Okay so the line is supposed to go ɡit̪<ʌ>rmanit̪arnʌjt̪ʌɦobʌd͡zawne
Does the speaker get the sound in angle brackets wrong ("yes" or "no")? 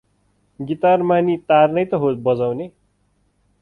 yes